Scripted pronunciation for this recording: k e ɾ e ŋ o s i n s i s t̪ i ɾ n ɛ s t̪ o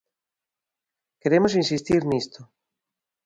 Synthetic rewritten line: k e ɾ e m o s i n s i s t̪ i ɾ n i s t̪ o

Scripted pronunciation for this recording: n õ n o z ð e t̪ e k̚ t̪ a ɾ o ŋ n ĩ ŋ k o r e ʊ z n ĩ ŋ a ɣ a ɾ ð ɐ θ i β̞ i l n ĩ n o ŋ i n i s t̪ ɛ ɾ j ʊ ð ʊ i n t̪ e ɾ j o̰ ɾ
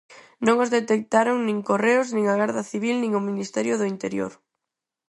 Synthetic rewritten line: n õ ŋ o z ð e t̪ e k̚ t̪ a ɾ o ŋ n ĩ ŋ k o r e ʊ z n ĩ ŋ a ɣ a ɾ ð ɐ θ i β̞ i l n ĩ ŋ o m i n i s t̪ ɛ ɾ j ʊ ð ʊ i n t̪ e ɾ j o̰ ɾ

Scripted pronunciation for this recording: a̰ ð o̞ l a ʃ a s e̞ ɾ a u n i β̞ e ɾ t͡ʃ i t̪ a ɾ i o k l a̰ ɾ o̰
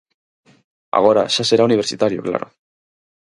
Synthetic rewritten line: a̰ ɣ o̞ ɾ a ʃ a s e̞ ɾ a u n i β̞ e ɾ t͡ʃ i t̪ a ɾ i o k l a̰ ɾ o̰

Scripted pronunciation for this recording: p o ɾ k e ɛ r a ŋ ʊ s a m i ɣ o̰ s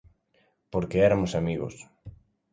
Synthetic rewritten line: p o ɾ k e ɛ ɾ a m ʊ s a m i ɣ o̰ s

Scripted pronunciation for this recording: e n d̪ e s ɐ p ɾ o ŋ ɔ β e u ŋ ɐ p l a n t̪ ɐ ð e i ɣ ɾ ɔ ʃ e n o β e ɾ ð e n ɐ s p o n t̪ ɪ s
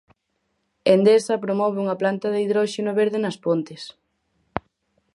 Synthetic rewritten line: e n d̪ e s ɐ p ɾ o m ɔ β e u ŋ ɐ p l a n t̪ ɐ ð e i ð ɾ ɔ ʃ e n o β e ɾ ð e n ɐ s p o n t̪ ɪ s

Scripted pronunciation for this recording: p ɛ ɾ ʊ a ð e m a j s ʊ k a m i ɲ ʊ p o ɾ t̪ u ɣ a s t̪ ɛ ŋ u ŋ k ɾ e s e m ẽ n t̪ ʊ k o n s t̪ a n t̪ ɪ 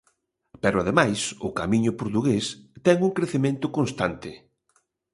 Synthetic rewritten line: p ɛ ɾ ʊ a ð e m a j s ʊ k a m i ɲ ʊ p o ɾ t̪ u ɣ e s t̪ ɛ ŋ u ŋ k ɾ e θ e m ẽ n t̪ ʊ k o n s t̪ a n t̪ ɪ

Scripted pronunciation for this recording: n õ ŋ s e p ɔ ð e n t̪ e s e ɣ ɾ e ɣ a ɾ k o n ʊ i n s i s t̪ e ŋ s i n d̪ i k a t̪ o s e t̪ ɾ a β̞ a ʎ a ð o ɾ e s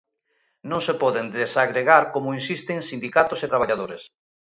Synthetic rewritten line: n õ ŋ s e p ɔ ð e n d̪ e s a ɣ ɾ e ɣ a ɾ k o m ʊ i n s i s t̪ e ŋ s i n d̪ i k a t̪ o s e t̪ ɾ a β̞ a ʎ a ð o ɾ e s

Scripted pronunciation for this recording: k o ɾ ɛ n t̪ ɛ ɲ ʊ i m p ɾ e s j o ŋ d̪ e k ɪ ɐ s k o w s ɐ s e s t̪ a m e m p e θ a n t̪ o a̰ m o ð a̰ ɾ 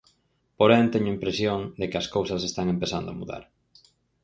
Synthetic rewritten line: p o ɾ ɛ n t̪ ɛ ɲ ʊ i m p ɾ e s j o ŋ d̪ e k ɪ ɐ s k o w s ɐ s e s t̪ a ŋ e m p e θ a n d̪ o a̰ m u ð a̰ ɾ

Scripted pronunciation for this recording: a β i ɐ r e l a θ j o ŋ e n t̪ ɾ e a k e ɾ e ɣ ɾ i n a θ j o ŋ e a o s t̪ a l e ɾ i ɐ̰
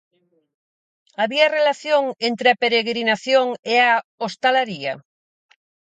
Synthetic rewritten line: a β i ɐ r e l a θ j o ŋ e n t̪ ɾ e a p e ɾ e ɣ ɾ i n a θ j o ŋ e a o s t̪ a l a ɾ i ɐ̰

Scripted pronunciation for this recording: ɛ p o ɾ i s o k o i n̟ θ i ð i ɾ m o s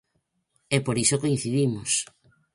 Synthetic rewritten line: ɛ p o ɾ i s o k o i n̟ θ i ð i m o s

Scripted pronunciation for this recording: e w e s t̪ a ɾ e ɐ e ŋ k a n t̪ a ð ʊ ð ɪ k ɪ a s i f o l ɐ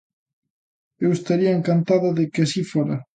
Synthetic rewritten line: e w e s t̪ a ɾ i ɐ e ŋ k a n t̪ a ð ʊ ð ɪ k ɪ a s i f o ɾ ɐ

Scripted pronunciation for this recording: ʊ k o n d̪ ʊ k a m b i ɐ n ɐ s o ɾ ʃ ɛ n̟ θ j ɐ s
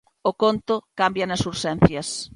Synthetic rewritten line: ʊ k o n t̪ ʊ k a m b j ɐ n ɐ s u ɾ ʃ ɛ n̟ θ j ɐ s

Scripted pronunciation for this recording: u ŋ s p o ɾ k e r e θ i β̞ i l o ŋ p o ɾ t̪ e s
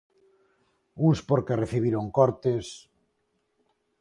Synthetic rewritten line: u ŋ s p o ɾ k e r e θ i β̞ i ɾ o ŋ k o ɾ t̪ e s

